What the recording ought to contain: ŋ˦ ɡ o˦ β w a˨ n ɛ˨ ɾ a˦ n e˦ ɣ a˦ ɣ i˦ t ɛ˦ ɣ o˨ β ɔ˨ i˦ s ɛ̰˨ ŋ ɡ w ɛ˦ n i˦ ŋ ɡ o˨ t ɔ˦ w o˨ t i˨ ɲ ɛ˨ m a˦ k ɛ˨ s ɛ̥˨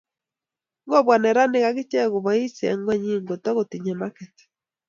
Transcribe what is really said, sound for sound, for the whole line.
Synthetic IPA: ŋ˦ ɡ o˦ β w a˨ n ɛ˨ ɾ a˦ n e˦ ɣ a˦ ɣ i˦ t͡ʃ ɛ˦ ɣ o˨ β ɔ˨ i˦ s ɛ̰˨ ŋ ɡ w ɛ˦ ɲ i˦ ŋ ɡ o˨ t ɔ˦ ɣ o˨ t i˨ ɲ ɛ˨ m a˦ k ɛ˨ t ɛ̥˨